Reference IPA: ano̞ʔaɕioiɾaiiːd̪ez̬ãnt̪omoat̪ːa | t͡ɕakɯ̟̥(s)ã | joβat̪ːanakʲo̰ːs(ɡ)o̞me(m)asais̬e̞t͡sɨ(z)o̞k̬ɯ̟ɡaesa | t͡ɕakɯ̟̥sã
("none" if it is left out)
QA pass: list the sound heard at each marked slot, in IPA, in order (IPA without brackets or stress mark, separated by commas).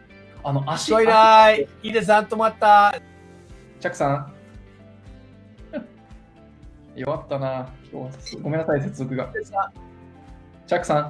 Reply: s, ɡ, n, z